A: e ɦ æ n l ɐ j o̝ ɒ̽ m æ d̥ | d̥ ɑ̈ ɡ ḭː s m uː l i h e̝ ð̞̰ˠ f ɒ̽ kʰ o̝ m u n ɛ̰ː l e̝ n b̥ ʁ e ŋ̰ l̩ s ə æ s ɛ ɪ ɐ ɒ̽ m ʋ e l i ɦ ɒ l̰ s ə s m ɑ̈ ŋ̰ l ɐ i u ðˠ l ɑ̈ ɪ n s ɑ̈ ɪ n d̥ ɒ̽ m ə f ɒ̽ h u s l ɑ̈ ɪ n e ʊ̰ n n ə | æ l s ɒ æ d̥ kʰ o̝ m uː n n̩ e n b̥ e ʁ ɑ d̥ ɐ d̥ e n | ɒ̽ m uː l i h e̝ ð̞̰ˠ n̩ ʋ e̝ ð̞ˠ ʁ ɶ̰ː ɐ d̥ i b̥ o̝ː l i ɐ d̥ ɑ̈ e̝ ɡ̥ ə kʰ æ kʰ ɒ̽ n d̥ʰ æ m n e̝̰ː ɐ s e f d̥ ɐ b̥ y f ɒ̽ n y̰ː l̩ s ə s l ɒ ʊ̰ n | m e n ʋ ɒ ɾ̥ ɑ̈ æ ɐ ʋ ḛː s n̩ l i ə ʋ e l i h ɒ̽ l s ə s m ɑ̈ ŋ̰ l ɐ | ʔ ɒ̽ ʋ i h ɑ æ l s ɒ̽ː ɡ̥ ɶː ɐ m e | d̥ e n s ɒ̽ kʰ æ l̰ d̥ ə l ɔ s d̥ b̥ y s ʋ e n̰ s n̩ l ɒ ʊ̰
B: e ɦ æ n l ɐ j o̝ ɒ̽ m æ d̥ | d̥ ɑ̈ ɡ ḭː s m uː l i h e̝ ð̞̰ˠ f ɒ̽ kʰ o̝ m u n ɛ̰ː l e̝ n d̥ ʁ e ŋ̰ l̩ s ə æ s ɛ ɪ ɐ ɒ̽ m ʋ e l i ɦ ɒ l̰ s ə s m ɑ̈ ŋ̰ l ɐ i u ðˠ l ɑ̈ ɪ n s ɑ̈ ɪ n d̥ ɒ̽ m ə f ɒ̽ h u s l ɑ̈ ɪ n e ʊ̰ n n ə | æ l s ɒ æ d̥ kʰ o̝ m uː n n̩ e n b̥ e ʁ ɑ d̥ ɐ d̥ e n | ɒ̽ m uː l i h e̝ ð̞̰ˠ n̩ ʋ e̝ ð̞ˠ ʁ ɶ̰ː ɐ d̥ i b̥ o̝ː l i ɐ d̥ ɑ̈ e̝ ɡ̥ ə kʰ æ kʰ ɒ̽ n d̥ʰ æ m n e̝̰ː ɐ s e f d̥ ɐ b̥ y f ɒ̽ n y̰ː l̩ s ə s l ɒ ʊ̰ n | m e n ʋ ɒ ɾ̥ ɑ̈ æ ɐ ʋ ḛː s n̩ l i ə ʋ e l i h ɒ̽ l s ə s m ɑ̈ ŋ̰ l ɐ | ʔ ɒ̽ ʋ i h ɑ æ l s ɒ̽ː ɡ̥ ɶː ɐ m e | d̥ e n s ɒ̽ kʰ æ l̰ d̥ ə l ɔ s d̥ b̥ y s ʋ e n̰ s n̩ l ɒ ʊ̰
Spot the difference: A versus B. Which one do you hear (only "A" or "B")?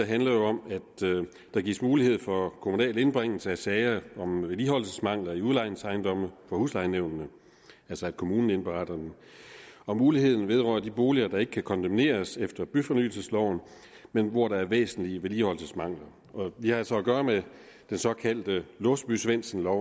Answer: A